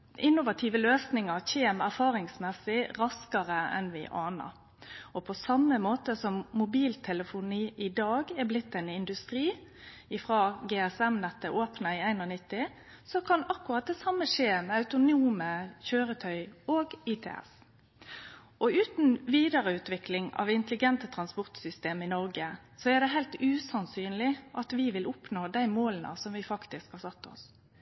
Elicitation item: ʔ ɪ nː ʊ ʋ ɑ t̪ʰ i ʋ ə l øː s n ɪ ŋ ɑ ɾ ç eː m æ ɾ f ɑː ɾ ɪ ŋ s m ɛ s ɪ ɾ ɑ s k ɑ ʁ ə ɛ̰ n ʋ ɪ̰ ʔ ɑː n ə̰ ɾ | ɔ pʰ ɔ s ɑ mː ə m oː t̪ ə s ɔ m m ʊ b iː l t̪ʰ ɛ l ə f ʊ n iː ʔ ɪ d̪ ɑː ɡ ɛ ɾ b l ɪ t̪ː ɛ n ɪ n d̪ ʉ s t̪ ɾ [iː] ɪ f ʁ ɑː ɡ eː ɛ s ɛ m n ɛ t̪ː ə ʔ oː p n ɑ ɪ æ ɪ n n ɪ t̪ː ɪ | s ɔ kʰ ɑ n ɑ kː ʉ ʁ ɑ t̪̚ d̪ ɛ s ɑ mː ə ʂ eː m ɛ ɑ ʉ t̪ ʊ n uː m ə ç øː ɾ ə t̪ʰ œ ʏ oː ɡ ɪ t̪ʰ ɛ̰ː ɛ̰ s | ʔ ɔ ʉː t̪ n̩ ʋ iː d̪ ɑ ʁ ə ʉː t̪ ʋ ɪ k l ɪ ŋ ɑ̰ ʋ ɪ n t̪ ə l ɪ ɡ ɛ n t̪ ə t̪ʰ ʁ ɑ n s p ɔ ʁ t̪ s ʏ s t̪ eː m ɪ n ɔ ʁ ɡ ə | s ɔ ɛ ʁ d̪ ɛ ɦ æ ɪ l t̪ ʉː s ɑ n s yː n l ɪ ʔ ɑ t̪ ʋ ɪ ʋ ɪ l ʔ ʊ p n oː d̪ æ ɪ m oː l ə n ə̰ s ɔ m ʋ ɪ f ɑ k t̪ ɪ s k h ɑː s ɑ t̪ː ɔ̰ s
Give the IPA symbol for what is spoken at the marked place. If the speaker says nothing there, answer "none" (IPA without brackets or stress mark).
iː